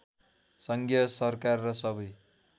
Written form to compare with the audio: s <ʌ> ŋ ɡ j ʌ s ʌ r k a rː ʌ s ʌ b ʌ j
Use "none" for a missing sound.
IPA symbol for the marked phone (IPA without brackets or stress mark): ʌ